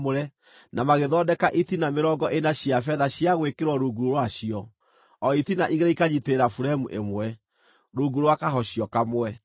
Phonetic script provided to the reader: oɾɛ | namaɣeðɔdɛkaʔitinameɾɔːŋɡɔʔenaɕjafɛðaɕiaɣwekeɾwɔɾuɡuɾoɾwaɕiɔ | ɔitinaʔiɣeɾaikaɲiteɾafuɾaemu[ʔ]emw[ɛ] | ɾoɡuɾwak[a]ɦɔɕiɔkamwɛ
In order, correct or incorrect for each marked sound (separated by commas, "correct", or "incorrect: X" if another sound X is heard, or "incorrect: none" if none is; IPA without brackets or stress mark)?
correct, correct, correct